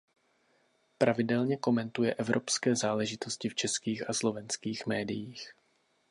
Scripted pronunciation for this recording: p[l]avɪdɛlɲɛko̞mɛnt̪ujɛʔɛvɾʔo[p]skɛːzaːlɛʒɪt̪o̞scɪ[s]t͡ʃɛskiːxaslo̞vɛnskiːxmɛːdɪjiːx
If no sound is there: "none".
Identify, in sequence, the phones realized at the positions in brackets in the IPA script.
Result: ɾ, p, f

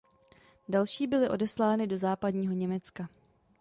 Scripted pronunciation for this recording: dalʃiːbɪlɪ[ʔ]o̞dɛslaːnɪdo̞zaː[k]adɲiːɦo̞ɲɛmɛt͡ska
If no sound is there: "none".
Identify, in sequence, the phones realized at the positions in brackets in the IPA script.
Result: ʔ, p

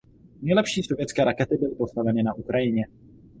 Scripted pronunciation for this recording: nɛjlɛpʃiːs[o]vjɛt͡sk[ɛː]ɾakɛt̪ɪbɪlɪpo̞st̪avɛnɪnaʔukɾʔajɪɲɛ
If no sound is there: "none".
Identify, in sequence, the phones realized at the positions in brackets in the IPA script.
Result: o, ɛː

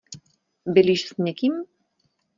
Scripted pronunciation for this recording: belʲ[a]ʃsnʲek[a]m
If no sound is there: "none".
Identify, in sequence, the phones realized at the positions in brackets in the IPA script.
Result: i, i

